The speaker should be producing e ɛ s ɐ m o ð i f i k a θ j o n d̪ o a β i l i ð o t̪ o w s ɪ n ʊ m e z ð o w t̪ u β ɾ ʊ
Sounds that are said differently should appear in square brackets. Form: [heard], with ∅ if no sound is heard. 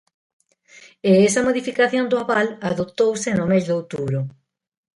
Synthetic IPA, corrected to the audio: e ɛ s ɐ m o ð i f i k a θ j o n d̪ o a β [a] l [a] ð o t̪ o w s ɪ n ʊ m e z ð o w t̪ u β ɾ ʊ